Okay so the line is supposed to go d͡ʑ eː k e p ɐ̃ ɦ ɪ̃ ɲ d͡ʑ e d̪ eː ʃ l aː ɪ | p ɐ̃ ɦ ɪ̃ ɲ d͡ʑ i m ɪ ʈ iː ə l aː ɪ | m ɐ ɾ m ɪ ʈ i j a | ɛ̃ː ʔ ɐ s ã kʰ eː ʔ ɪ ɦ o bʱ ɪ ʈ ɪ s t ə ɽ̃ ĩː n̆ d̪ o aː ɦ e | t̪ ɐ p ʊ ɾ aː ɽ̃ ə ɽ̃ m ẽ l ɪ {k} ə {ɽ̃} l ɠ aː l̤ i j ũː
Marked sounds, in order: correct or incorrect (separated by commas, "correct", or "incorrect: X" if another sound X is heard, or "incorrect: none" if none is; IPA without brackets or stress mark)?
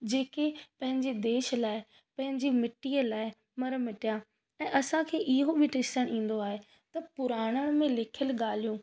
incorrect: kʰ, incorrect: none